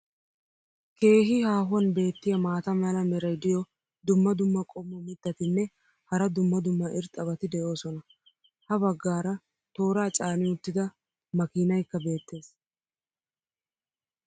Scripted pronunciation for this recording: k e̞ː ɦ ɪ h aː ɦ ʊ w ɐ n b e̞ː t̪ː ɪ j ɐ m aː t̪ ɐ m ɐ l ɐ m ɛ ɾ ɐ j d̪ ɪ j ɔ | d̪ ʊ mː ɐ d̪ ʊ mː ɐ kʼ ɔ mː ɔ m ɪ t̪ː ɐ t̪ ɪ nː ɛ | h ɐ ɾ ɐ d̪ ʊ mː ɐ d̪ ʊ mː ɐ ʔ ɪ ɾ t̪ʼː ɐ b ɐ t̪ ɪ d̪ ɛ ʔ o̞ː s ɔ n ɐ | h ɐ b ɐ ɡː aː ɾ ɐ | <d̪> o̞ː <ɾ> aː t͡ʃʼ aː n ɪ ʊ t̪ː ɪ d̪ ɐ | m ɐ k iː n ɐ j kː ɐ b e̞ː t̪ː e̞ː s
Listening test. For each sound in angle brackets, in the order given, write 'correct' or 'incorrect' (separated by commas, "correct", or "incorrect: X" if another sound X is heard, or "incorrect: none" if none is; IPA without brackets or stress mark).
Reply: incorrect: t̪, correct